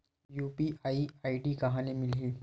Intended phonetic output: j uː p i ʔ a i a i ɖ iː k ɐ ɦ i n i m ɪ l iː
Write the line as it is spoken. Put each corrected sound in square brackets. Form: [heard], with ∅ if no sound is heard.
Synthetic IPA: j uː p i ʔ a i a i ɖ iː k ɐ ɦ [a] n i m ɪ l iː